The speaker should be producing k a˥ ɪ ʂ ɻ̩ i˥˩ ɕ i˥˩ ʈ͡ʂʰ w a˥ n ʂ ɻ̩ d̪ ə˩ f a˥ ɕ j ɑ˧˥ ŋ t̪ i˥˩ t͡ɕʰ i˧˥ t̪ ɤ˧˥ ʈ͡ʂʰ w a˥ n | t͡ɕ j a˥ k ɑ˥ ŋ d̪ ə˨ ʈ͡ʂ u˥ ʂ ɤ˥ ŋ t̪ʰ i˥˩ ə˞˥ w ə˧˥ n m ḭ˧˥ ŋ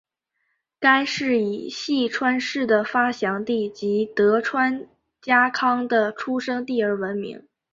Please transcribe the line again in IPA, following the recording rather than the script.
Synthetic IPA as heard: k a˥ ɪ ʂ ɻ̩ i˨˩ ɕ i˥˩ ʈ͡ʂʰ w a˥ n ʂ ɻ̩ d̪ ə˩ f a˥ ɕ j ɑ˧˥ ŋ t̪ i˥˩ t͡ɕ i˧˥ t̪ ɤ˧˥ ʈ͡ʂʰ w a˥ n | t͡ɕ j a˥ kʰ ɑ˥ ŋ d̪ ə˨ ʈ͡ʂʰ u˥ ʂ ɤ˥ ŋ t̪ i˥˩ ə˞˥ w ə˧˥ n m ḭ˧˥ ŋ

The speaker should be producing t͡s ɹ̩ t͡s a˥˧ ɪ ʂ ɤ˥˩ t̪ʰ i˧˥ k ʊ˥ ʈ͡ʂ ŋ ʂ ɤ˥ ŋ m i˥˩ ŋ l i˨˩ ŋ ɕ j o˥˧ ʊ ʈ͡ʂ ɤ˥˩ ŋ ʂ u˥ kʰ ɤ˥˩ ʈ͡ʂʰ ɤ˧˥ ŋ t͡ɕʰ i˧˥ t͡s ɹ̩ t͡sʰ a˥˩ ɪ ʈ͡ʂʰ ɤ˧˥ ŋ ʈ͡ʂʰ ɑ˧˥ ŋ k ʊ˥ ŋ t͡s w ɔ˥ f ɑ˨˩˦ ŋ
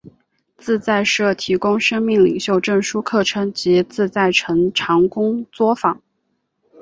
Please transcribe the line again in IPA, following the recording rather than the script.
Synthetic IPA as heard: t͡s ɹ̩ t͡s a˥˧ ɪ ʂ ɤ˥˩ t̪ʰ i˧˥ k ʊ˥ ŋ ʂ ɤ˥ ŋ m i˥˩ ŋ l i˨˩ ŋ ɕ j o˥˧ ʊ ʈ͡ʂ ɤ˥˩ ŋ ʂ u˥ kʰ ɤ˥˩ ʈ͡ʂʰ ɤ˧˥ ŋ t͡ɕ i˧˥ t͡s ɹ̩ t͡s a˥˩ ɪ ʈ͡ʂʰ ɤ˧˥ ŋ ʈ͡ʂʰ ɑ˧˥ ŋ k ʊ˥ ŋ t͡s w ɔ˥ f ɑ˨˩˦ ŋ

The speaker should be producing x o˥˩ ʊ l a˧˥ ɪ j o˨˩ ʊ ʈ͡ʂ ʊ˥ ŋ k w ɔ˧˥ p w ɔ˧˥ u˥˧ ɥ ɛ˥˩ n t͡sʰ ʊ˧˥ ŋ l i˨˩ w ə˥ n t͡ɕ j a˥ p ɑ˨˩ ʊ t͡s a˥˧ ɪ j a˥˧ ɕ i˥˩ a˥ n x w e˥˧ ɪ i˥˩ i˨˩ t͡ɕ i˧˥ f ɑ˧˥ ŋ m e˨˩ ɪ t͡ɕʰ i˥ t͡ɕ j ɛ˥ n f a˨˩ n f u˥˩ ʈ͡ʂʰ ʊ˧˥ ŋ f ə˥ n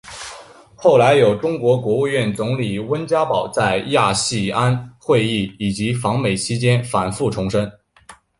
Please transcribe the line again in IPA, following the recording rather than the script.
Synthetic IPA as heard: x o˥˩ ʊ l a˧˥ ɪ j o˨˩ ʊ ʈ͡ʂ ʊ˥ ŋ k w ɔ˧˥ k w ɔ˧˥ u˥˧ ɥ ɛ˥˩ n t͡s ʊ˧˥ ŋ l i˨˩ w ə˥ n t͡ɕ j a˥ p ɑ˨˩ ʊ t͡s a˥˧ ɪ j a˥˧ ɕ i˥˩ a˥ n x w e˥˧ ɪ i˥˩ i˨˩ t͡ɕ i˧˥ f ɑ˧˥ ŋ m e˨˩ ɪ t͡ɕʰ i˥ t͡ɕ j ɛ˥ n f a˨˩ n f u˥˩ ʈ͡ʂʰ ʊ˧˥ ŋ ʂ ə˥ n

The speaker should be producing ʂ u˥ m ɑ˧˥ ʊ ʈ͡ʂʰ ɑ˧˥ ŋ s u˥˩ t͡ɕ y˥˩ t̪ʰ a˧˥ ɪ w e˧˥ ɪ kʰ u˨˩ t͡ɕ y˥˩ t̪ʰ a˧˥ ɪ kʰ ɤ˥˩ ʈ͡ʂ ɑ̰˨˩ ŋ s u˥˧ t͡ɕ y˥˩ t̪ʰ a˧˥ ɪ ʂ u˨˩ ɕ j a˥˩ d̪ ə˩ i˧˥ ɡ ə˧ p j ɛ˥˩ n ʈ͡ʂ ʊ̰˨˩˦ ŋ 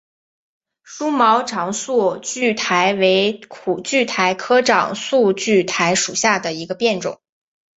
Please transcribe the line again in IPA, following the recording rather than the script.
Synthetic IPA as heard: ʂ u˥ m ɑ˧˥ ʊ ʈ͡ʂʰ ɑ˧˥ ŋ s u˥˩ t͡ɕ y˥˩ t̪ʰ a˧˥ ɪ w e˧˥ ɪ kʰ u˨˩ t͡ɕ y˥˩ t̪ʰ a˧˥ ɪ kʰ ɤ˥ ʈ͡ʂ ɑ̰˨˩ ŋ s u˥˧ t͡ɕ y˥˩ t̪ʰ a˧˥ ɪ ʂ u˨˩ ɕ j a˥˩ d̪ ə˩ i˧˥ ɡ ə˧ p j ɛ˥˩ n ʈ͡ʂ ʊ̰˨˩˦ ŋ

